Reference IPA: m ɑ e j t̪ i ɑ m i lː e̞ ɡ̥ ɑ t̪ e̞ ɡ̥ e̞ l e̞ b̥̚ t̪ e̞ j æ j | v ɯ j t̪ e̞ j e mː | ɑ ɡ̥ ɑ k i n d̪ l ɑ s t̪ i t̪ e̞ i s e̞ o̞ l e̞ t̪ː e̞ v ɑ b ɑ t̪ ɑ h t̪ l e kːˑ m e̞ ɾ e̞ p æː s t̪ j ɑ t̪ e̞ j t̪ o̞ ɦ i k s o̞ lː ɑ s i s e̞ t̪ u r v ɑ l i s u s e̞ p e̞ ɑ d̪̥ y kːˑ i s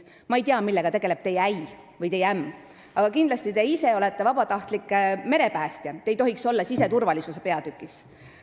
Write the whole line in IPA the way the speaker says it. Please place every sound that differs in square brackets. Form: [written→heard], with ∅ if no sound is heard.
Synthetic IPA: m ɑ e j t̪ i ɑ m i lː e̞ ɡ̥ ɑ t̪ e̞ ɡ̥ e̞ l e̞ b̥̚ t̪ e̞ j æ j | v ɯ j t̪ e̞ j [e→æ] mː | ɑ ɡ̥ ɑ k i n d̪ l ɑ s t̪ i t̪ e̞ i s e̞ o̞ l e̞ t̪ː e̞ v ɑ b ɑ t̪ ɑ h t̪ l [e→i] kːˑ m e̞ ɾ e̞ p æː s t̪ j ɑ t̪ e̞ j t̪ o̞ ɦ i k s o̞ lː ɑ s i s e̞ t̪ u r v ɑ l i s u s e̞ p e̞ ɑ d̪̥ y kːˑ i s

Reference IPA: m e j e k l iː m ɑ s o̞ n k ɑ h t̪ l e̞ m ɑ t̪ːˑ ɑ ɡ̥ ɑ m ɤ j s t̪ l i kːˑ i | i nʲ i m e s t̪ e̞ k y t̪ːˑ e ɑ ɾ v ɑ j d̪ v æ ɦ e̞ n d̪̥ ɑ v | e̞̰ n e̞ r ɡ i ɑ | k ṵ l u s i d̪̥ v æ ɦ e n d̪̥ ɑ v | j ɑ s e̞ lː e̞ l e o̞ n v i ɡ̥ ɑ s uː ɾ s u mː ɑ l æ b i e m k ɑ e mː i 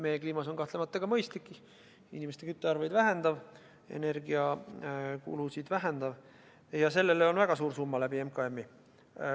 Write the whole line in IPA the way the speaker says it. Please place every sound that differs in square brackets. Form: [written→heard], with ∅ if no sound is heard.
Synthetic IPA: m e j e k l iː m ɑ s o̞ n k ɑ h t̪ l e̞ m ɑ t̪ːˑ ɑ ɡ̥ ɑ m ɤ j s t̪ l i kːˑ i | i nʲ i m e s t̪ e̞ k y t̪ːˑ e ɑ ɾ v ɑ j d̪ v æ ɦ e̞ n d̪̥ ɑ v | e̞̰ n e̞ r ɡ i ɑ | k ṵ l u s i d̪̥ v æ ɦ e n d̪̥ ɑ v | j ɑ s e̞ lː e̞ l e o̞ n v [i→æ] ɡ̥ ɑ s uː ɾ s u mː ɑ l æ b i e m k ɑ e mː i

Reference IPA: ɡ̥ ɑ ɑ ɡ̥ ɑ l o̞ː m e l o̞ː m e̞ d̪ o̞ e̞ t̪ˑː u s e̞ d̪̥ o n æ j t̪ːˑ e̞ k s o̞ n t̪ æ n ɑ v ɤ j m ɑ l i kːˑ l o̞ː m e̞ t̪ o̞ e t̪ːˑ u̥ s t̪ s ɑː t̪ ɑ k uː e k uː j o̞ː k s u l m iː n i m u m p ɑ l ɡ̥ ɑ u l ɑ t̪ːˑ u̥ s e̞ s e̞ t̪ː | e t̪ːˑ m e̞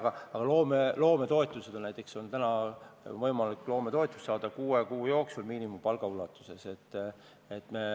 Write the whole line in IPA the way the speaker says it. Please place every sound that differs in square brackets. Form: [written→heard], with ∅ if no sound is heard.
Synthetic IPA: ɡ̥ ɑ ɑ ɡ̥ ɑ l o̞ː m e l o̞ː m e̞ [d̪→t̪] o̞ e̞ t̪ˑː u s e̞ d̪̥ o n æ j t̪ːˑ e̞ k s o̞ n t̪ æ n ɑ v ɤ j m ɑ l i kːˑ l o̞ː m e̞ t̪ o̞ e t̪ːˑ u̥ s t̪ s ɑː [t̪→d̪] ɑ k uː e k uː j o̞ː k s u l m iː n i m u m p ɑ l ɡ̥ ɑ u l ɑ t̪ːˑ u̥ s e̞ s e̞ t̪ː | e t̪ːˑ m e̞

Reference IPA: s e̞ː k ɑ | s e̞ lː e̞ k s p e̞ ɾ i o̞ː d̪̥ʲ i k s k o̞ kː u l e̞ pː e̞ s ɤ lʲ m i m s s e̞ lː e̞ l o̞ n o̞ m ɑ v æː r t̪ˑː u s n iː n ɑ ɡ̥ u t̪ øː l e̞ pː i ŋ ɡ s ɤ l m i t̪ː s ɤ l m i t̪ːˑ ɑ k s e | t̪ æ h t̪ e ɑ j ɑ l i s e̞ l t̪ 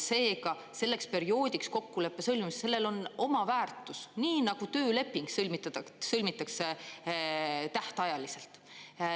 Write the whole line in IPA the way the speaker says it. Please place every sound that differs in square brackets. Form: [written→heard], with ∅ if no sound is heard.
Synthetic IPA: s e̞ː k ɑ | s e̞ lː e̞ k s p e̞ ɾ i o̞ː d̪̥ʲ i k s k o̞ kː u l e̞ pː e̞ s ɤ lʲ m i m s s e̞ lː e̞ l o̞ n o̞ m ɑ v æː r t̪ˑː u s n iː n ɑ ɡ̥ u t̪ øː l e̞ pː i ŋ ɡ s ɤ l m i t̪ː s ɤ l m i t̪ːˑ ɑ k s e | t̪ æ h t̪ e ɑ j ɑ l i s e̞ l t̪

